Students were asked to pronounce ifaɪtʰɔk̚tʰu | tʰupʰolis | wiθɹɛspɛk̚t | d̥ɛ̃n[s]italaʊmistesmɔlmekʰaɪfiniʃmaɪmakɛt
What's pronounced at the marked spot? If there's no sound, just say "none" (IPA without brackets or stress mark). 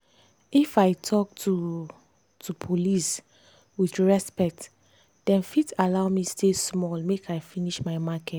f